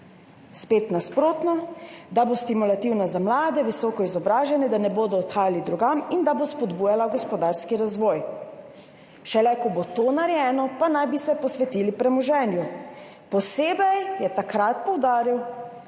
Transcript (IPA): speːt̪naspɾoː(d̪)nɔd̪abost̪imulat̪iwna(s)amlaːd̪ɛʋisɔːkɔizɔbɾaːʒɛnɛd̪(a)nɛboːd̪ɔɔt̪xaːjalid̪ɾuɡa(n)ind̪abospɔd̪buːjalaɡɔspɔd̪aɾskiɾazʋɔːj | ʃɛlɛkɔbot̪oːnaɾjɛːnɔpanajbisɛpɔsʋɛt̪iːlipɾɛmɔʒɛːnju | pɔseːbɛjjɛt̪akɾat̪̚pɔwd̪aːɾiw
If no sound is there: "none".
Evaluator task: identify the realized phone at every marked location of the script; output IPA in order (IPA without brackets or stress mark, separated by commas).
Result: t̪, z, a, m